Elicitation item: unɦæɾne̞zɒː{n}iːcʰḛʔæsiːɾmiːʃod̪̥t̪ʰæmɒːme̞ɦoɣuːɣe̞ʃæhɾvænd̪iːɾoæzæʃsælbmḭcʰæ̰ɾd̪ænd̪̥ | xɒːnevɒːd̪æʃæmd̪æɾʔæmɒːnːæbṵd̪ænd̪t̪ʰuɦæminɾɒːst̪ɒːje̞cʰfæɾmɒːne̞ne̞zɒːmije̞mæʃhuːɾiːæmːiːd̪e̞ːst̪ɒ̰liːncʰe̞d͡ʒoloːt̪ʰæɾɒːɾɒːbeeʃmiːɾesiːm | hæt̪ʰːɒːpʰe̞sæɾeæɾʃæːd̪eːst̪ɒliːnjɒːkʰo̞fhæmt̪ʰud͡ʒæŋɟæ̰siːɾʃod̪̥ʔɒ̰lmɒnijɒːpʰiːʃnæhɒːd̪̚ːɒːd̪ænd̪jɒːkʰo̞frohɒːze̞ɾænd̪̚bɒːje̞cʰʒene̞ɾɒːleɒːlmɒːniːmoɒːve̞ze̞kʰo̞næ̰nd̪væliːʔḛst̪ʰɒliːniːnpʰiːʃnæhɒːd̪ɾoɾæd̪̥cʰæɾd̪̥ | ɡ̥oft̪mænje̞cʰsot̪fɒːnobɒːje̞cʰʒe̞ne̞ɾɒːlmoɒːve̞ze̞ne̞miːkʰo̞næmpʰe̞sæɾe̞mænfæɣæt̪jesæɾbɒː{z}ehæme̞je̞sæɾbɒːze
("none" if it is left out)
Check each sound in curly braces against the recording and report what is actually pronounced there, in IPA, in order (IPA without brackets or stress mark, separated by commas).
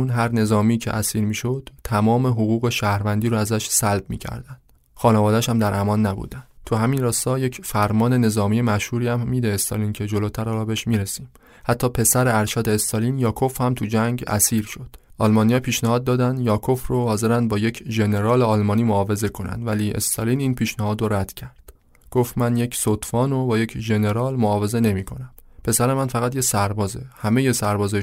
m, z